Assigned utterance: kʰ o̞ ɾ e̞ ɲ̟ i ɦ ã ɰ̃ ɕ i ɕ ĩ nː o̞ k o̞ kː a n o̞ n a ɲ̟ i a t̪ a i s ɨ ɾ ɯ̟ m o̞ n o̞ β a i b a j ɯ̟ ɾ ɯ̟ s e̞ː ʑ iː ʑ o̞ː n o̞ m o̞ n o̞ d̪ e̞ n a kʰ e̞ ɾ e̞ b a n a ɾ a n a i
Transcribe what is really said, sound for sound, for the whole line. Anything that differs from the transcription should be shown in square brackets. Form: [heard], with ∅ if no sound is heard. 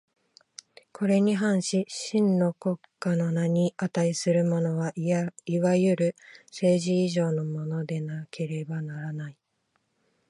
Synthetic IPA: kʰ o̞ ɾ e̞ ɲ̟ i ɦ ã ɰ̃ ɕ i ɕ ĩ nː o̞ k o̞ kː a n o̞ n a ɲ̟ i a t̪ a i s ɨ ɾ ɯ̟ m o̞ n o̞ β a i [β] a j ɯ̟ ɾ ɯ̟ s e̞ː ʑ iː ʑ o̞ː n o̞ m o̞ n o̞ d̪ e̞ n a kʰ e̞ ɾ e̞ b a n a ɾ a n a i